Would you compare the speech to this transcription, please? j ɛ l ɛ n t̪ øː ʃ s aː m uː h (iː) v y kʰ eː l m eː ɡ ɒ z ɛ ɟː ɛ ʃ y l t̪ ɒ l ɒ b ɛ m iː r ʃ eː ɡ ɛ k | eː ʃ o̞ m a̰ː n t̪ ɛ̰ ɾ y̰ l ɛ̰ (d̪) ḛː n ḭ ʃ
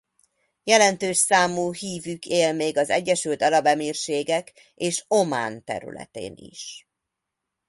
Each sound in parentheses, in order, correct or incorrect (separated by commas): correct, incorrect